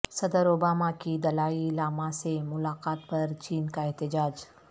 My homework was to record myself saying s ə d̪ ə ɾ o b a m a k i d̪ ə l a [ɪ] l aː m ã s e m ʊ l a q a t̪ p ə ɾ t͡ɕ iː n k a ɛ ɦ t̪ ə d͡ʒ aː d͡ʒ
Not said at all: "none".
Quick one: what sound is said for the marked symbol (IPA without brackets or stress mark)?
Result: i